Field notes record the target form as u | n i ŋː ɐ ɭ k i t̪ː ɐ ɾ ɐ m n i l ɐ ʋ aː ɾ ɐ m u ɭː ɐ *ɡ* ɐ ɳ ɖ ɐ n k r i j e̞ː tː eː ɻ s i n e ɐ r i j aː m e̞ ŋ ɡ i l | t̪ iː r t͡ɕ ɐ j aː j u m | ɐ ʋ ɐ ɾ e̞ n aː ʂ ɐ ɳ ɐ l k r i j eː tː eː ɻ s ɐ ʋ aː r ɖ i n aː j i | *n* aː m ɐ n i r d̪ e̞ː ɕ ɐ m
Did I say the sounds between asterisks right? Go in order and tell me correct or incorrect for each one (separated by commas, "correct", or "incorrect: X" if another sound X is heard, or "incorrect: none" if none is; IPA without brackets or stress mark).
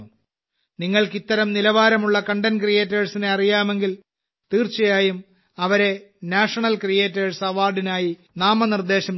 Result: incorrect: k, correct